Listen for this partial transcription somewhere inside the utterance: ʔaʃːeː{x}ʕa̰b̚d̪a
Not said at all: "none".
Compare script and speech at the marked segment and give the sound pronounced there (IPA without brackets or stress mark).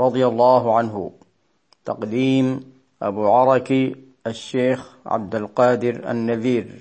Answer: x